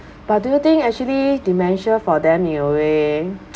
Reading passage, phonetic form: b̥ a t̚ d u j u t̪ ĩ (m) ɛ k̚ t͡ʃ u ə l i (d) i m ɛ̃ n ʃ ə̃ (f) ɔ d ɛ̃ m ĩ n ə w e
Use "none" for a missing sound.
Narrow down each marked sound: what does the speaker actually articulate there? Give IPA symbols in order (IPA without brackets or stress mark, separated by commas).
ŋ, d, f